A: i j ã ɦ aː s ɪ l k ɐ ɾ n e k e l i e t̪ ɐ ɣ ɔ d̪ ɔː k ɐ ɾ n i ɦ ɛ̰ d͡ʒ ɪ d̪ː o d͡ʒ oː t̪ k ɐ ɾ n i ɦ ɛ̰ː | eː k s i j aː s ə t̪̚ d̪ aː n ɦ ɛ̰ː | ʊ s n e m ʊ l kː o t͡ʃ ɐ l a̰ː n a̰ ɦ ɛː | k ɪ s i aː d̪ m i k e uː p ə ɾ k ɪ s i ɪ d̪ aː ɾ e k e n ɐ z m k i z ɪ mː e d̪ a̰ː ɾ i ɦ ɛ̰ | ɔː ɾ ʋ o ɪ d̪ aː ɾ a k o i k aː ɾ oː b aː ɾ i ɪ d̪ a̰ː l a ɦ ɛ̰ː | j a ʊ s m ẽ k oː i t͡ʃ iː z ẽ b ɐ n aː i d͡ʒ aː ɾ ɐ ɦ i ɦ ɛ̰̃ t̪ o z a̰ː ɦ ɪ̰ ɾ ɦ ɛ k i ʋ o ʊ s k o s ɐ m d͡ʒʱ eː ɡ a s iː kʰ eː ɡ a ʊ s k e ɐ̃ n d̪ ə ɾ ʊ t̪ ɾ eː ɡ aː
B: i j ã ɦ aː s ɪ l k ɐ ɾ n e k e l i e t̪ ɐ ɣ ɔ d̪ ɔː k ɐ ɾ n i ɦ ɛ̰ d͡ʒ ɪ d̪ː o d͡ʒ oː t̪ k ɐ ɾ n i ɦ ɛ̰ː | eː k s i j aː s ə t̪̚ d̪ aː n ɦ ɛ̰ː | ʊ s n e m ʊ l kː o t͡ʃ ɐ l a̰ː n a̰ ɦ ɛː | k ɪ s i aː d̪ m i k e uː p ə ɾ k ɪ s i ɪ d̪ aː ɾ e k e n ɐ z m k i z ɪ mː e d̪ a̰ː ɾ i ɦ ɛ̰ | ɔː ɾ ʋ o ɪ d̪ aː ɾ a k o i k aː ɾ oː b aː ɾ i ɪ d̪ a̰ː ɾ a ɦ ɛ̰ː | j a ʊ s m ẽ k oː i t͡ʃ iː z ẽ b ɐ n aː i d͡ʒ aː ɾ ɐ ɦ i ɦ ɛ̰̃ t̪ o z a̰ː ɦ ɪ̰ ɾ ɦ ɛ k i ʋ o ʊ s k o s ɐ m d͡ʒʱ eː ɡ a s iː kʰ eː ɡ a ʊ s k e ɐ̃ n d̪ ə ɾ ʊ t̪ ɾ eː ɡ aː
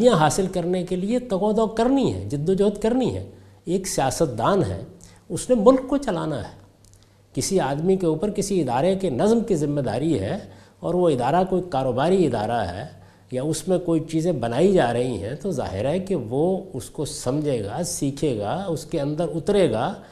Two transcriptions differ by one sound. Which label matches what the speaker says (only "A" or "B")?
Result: B